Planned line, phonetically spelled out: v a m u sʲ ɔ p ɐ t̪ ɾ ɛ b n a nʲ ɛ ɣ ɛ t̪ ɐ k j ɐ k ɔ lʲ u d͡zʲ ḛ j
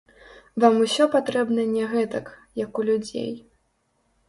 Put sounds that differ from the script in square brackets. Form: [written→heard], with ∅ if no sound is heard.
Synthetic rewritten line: v a m u sʲ ɔ p [ɐ→a] t̪ ɾ ɛ b n [a→ɐ] nʲ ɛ ɣ ɛ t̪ ɐ k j ɐ k [ɔ→u] lʲ u d͡zʲ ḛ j